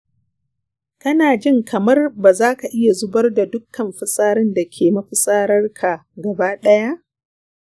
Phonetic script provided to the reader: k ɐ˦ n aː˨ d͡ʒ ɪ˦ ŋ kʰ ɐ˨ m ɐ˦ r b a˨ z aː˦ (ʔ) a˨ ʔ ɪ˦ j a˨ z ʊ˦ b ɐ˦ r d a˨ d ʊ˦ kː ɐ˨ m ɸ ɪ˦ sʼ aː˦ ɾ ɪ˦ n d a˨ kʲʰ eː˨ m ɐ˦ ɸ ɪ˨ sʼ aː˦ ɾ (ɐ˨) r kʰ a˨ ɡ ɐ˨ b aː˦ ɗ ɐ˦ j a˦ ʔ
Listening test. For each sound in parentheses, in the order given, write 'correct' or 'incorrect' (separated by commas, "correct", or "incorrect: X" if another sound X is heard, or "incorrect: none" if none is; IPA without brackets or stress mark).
incorrect: k, incorrect: ɐ˦